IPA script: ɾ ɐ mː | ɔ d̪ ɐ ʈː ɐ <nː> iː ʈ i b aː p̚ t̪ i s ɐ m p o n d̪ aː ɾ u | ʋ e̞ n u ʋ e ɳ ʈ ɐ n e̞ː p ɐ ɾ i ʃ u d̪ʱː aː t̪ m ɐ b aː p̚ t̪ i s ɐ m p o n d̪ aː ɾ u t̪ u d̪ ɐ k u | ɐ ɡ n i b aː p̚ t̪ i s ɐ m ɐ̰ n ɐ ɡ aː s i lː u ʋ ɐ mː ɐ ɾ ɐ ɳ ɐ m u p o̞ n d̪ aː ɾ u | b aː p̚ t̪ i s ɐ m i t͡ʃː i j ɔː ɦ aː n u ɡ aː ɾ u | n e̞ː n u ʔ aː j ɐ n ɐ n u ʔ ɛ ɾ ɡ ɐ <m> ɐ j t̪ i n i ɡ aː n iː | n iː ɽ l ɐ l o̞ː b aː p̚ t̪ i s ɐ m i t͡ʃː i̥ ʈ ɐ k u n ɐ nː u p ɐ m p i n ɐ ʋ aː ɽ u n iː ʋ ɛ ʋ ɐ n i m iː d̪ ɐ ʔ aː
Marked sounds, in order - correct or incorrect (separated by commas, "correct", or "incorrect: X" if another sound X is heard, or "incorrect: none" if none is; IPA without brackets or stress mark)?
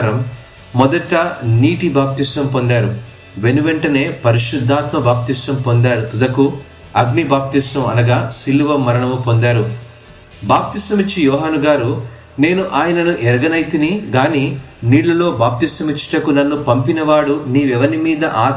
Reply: incorrect: n, incorrect: n